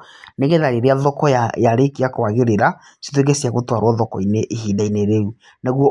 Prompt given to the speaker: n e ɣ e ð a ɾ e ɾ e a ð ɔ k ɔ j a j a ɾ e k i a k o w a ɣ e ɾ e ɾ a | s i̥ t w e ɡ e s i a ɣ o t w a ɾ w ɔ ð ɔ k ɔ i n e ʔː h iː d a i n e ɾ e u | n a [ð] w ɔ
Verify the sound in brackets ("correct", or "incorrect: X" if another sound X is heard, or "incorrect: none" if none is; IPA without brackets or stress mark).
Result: incorrect: ɣ